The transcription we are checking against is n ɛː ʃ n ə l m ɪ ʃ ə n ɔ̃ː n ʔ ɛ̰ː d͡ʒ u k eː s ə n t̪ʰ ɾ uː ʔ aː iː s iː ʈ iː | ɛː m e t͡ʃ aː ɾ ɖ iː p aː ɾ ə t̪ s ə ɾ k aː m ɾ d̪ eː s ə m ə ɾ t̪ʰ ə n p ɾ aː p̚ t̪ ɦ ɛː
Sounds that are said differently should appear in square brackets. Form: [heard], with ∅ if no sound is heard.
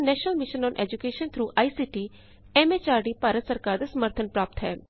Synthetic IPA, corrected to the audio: n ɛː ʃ n ə l m ɪ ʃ ə n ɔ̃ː n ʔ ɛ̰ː d͡ʒ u k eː [ʃ] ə n t̪ʰ ɾ uː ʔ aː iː s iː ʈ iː | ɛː m e t͡ʃ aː ɾ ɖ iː p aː ɾ ə t̪ s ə ɾ k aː [∅] ɾ d̪ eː s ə m ə ɾ t̪ʰ ə n p ɾ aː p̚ t̪ ɦ ɛː